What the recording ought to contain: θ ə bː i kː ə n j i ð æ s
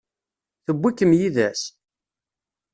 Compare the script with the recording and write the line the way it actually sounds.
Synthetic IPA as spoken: θ ə bː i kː ə m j i ð æ s